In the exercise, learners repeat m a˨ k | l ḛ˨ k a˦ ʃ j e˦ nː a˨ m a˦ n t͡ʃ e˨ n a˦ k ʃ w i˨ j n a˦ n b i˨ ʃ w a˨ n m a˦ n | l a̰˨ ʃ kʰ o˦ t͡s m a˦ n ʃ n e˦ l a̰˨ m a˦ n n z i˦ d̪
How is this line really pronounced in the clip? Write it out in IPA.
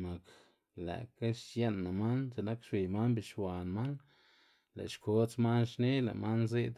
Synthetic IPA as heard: m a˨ k | l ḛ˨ k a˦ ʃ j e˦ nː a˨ m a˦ n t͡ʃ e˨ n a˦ k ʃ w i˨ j m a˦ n b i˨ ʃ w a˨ n m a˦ n | l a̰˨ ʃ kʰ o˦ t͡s m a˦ n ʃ n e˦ l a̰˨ m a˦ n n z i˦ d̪